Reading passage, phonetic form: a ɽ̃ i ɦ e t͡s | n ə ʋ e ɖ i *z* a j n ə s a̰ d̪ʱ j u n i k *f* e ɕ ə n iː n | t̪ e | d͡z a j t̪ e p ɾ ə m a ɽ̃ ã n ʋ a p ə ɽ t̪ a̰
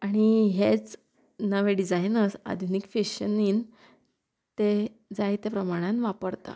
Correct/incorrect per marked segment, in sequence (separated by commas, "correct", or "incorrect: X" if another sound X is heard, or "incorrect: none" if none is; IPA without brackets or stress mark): incorrect: d͡z, correct